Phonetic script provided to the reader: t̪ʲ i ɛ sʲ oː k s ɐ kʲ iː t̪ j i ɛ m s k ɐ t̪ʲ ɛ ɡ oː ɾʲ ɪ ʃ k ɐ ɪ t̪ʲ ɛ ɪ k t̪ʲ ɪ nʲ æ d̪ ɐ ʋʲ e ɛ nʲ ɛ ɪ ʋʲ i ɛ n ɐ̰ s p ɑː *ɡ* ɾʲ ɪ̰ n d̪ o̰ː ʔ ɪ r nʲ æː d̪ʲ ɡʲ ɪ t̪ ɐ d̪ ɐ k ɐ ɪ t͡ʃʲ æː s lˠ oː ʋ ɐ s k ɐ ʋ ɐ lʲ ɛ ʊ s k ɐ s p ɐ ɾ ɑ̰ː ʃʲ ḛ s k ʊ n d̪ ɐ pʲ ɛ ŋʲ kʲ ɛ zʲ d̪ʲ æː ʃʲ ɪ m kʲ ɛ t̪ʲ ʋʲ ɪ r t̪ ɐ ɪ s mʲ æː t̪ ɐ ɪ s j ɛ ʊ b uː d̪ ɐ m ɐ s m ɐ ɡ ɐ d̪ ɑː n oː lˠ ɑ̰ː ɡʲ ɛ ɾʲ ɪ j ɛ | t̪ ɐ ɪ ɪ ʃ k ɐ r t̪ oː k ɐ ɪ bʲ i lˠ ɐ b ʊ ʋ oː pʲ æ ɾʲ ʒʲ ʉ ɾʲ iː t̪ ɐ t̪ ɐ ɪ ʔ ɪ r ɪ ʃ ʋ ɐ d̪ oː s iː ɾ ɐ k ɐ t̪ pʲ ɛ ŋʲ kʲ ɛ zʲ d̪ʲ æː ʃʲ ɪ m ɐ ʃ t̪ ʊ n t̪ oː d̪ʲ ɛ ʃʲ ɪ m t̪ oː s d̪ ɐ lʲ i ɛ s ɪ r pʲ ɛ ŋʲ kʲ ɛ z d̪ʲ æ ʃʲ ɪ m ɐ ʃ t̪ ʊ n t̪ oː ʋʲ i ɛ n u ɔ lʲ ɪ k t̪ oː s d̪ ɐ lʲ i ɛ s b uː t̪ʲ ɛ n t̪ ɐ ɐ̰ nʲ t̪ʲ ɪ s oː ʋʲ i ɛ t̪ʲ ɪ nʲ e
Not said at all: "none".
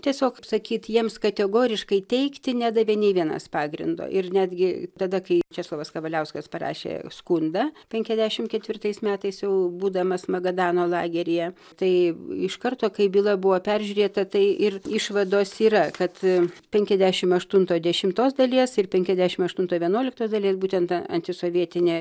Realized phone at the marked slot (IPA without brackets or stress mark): ɡ